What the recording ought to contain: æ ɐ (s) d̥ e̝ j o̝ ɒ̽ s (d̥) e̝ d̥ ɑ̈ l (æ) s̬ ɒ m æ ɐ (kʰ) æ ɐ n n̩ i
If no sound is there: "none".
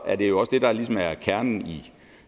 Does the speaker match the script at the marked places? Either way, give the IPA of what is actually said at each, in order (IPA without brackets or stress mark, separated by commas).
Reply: none, d̥, i, kʰ